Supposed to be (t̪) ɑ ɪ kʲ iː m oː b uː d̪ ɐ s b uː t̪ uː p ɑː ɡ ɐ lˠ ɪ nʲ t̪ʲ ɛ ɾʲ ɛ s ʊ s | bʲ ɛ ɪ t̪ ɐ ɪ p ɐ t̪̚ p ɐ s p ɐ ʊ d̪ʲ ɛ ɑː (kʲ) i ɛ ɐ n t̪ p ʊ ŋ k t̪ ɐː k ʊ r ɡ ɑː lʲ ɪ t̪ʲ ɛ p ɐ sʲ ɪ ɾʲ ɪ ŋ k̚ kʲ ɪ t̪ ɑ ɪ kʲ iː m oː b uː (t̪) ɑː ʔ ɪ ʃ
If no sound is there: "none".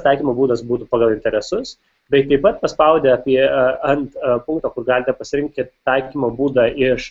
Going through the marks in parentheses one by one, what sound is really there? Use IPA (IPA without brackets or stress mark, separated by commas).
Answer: t̪, pʲ, d̪